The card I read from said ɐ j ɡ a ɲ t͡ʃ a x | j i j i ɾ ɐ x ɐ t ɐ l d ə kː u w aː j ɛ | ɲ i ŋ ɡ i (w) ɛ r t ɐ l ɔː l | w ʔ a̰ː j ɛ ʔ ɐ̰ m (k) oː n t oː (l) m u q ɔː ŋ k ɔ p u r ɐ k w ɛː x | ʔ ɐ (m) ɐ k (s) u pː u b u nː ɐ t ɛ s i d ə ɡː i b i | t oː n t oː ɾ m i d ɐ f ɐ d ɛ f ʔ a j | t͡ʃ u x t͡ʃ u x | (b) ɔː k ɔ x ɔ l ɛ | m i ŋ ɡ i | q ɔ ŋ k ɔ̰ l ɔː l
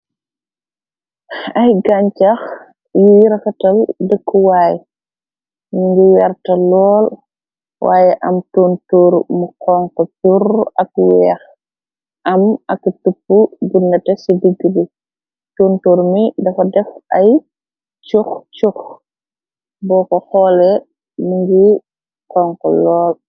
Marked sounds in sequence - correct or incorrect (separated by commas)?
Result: correct, incorrect, incorrect, correct, incorrect, correct